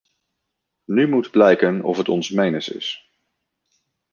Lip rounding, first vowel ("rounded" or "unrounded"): rounded